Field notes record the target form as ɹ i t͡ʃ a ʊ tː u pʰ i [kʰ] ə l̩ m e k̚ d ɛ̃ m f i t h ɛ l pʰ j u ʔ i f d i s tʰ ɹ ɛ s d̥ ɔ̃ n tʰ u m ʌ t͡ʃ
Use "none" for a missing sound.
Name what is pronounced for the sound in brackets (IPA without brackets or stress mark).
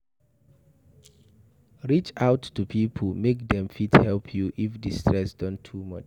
pʰ